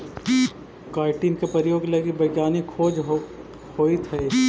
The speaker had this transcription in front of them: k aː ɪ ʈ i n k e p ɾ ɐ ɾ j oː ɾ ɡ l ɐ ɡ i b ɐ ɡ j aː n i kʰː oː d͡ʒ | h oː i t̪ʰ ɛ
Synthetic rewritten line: k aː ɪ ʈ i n k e p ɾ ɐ ɾ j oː ɡ l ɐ ɡ i b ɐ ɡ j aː n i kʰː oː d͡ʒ | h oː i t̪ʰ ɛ